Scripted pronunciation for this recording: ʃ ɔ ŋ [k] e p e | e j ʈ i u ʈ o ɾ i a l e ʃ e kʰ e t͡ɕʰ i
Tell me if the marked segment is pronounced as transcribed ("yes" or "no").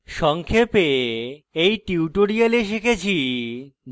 no